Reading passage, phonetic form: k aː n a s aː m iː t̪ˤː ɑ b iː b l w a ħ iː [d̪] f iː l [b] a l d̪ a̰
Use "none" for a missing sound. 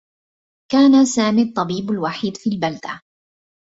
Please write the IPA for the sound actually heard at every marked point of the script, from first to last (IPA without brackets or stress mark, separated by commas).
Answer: d̪, b